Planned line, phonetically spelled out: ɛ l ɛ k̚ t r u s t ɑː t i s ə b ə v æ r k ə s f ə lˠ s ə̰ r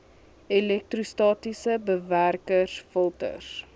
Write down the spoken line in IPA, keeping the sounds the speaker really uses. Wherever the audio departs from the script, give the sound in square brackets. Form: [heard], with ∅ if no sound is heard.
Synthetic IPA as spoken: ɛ l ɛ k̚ t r u s t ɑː t i s ə b ə v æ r k ə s f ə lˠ [t] ə̰ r